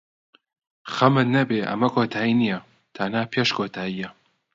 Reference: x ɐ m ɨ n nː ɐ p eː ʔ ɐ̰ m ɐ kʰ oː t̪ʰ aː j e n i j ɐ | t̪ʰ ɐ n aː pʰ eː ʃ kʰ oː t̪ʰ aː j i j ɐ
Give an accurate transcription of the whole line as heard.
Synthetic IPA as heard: x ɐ m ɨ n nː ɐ b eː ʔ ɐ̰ m ɐ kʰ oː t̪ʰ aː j i n i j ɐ | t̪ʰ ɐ n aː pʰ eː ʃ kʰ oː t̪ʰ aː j i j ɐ